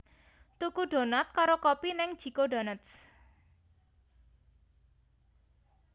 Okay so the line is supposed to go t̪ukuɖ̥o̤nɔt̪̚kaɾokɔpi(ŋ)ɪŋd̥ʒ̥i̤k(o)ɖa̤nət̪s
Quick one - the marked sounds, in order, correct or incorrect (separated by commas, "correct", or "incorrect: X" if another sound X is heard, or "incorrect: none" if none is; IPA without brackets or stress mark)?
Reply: incorrect: n, correct